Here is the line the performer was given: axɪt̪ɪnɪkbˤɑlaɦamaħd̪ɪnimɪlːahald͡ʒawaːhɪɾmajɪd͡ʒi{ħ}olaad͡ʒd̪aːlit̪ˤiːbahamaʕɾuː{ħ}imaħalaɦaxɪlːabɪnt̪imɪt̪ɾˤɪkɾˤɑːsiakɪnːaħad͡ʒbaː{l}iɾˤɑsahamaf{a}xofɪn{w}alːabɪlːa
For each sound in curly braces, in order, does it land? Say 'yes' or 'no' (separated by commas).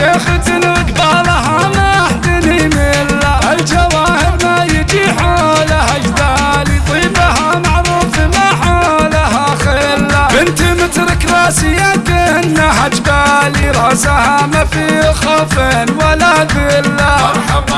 yes, no, yes, no, yes